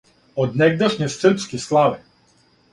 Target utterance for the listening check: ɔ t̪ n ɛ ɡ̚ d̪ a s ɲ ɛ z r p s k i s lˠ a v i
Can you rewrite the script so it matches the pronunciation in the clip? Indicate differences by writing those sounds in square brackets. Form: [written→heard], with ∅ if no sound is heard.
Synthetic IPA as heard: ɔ [t̪→d̪] n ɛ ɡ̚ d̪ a [s→ʃ] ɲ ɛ [z→s] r p s k i s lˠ a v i